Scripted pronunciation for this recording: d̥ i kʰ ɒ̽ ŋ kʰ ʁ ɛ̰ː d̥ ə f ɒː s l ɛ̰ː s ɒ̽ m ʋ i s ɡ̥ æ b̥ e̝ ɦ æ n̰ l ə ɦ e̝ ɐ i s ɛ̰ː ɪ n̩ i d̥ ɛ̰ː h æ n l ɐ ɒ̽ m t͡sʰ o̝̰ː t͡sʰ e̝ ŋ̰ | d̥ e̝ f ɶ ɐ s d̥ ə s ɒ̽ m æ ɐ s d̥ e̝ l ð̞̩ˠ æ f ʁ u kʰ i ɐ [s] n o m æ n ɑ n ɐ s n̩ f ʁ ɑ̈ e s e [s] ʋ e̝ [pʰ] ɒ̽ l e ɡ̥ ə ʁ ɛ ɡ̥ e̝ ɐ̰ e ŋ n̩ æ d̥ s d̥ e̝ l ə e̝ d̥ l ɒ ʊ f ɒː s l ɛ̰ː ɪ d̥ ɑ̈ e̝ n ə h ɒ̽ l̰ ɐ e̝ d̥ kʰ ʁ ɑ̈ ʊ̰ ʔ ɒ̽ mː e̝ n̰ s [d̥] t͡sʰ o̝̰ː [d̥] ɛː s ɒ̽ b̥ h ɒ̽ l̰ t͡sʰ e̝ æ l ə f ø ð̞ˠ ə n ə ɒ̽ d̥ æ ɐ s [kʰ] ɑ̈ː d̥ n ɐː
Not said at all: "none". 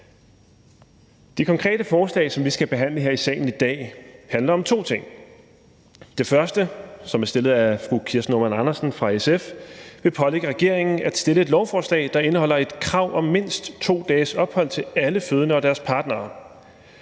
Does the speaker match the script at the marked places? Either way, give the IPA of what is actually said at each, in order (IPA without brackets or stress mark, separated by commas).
s, f, pʰ, d̥, d̥, pʰ